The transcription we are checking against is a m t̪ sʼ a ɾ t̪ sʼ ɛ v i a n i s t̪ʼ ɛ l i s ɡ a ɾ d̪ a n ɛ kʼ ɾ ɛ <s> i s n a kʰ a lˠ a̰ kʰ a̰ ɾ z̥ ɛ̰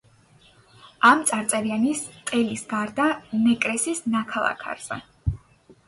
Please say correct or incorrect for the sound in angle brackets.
correct